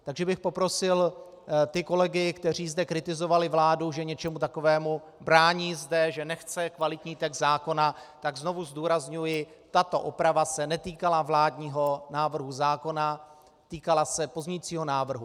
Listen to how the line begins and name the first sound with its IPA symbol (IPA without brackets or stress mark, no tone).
t̪